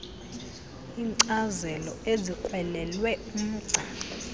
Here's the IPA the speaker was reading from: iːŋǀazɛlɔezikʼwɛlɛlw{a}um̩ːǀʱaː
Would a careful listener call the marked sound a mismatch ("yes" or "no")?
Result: yes